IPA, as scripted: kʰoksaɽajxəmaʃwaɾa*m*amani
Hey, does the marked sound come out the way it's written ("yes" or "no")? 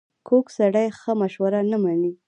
no